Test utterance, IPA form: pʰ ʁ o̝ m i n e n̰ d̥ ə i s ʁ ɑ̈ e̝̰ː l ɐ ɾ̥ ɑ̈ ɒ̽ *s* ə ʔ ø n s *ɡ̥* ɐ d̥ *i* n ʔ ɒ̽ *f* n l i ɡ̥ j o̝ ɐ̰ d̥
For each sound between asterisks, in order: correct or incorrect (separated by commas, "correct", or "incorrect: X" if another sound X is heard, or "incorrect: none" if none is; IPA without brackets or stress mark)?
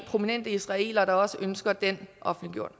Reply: correct, correct, incorrect: e, correct